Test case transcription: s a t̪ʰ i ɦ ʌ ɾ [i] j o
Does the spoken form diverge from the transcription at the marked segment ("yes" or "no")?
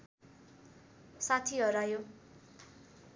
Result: yes